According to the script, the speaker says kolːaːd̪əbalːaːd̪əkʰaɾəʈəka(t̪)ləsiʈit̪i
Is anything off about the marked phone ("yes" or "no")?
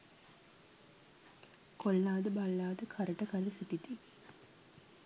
yes